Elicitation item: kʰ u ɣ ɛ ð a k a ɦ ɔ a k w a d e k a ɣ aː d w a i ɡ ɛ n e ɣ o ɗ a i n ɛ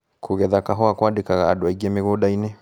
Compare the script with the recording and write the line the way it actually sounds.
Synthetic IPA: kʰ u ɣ ɛ ð a k a ɦ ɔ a k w a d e k a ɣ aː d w a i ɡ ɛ m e ɣ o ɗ a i n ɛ